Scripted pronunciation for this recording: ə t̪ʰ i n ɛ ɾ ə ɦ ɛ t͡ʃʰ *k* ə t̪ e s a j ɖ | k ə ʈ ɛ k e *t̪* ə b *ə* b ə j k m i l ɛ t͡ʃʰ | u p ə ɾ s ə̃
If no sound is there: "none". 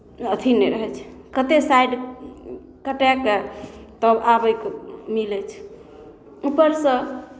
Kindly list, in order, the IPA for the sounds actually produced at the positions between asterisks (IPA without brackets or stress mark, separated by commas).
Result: k, t̪, a